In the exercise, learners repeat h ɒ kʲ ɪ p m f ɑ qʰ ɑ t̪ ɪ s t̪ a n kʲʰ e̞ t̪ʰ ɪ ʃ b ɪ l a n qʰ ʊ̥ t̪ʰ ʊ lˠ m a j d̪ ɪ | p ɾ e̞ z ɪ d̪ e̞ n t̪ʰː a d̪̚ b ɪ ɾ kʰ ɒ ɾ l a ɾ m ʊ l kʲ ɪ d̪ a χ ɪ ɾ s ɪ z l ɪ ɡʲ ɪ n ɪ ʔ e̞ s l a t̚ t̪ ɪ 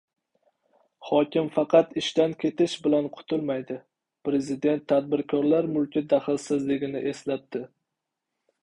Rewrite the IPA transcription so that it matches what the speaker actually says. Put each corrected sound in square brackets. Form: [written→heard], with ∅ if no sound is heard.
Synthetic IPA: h ɒ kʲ ɪ [p→∅] m f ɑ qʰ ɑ t̪ ɪ [s→ʃ] t̪ a n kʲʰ e̞ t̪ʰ ɪ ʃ b ɪ l a n qʰ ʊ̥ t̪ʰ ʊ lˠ m a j d̪ ɪ | p ɾ e̞ z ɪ d̪ e̞ n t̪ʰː a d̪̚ b ɪ ɾ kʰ ɒ ɾ l a ɾ m ʊ l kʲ ɪ d̪ a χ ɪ [ɾ→l] s ɪ z l ɪ ɡʲ ɪ n ɪ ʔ e̞ s l a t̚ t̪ ɪ